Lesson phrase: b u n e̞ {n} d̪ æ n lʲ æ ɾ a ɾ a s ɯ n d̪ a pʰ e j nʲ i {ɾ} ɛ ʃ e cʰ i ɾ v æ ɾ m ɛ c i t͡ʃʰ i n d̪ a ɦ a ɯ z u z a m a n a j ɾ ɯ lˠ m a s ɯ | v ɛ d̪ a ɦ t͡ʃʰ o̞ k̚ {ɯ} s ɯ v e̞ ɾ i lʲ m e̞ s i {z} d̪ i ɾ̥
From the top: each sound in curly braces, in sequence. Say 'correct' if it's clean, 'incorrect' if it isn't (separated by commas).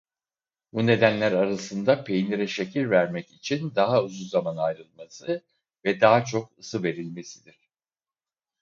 incorrect, correct, correct, incorrect